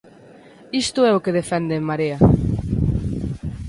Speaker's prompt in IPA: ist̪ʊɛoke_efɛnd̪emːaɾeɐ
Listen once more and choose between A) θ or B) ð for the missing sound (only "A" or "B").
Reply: B